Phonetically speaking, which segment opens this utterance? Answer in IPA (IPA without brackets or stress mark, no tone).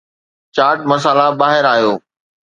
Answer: t͡ɕ